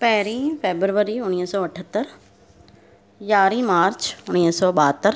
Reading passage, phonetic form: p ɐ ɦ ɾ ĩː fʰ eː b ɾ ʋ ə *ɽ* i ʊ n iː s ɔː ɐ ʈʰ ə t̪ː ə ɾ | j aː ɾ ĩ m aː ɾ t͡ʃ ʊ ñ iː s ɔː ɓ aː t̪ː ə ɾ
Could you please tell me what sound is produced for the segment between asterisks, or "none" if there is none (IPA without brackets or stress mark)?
ɾ